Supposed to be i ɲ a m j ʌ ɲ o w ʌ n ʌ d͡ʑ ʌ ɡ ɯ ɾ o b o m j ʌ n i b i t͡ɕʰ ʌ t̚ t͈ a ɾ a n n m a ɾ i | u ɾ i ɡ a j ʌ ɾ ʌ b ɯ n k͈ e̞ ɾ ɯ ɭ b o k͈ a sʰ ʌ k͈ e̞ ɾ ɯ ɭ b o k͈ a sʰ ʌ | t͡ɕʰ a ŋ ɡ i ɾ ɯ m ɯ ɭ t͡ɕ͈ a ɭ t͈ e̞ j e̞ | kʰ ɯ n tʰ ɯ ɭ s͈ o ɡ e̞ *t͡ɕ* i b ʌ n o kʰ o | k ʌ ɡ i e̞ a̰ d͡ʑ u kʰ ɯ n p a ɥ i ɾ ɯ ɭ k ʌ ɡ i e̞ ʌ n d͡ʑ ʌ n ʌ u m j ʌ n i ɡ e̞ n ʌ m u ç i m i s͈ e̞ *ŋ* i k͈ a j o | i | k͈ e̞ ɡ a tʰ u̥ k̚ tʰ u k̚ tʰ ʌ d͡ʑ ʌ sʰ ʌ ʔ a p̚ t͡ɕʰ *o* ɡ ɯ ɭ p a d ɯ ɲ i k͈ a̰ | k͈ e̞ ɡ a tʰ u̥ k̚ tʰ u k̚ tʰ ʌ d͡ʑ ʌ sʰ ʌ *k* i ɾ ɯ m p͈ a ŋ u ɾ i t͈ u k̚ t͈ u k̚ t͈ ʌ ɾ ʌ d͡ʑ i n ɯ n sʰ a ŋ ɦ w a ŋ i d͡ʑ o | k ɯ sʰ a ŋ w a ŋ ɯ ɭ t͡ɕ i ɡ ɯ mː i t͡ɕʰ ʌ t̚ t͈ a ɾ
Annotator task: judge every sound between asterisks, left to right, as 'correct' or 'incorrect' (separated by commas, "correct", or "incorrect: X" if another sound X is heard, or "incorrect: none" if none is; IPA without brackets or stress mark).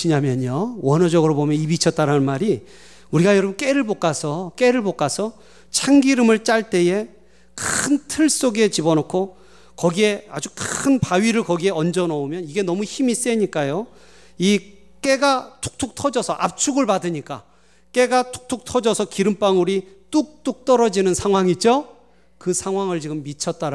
correct, incorrect: ɲ, incorrect: u, correct